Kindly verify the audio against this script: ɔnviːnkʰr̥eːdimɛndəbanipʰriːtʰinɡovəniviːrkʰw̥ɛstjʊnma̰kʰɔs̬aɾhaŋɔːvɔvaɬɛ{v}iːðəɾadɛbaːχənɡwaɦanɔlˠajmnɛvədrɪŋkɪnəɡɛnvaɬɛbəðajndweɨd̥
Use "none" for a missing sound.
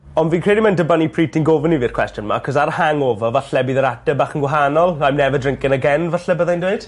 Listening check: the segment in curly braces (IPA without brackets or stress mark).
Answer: b